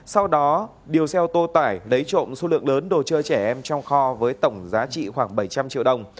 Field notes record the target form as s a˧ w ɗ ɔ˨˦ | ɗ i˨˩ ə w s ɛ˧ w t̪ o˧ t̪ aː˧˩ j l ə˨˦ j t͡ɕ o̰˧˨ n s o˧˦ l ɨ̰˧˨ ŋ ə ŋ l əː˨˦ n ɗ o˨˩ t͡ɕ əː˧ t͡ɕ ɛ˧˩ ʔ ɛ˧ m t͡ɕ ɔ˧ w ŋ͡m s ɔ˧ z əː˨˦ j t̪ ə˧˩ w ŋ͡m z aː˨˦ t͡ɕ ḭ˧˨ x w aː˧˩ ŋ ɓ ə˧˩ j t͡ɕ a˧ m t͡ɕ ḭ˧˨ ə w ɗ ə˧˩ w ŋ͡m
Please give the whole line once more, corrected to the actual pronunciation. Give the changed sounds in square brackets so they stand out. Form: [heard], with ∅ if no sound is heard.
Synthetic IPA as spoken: s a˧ w ɗ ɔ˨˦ | ɗ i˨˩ ə w s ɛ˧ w t̪ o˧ t̪ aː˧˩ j l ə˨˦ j t͡ɕ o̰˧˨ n s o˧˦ l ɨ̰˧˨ [∅] ə ŋ l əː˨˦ n ɗ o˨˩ t͡ɕ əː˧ t͡ɕ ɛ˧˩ ʔ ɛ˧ m t͡ɕ ɔ˧ w ŋ͡m [x] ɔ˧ [v] əː˨˦ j t̪ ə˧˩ w ŋ͡m z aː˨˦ t͡ɕ ḭ˧˨ x w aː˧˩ ŋ ɓ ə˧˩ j t͡ɕ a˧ m t͡ɕ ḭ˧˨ ə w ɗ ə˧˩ w ŋ͡m